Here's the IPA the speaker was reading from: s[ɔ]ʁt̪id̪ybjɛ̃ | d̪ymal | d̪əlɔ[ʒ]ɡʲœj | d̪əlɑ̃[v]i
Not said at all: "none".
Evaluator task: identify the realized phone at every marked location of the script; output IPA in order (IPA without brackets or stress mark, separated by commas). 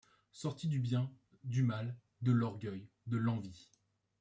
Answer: ɔ, ʁ, v